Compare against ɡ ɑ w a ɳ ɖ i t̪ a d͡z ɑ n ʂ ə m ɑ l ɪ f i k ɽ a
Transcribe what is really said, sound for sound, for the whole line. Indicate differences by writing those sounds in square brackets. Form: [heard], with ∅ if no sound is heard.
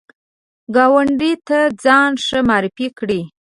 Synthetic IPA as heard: ɡ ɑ w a ɳ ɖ i t̪ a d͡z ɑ n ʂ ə m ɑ [ɾ] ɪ f i k ɽ [i]